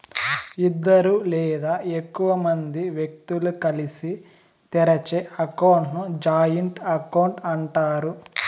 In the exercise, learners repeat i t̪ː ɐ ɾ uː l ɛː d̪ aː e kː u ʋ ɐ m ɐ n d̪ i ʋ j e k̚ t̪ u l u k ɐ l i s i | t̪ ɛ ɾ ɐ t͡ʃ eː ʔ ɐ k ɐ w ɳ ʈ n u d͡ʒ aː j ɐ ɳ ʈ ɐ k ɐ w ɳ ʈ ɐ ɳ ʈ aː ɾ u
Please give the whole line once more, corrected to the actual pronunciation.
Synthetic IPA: i d̪ː ɐ ɾ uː l ɛː d̪ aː e kː u ʋ ɐ m ɐ n d̪ i ʋ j e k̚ t̪ u l u k ɐ l i s i | t̪ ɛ ɾ ɐ t͡ʃ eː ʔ ɐ k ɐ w ɳ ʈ n u d͡ʒ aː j ɐ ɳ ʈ ɐ k ɐ w ɳ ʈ ɐ ɳ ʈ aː ɾ u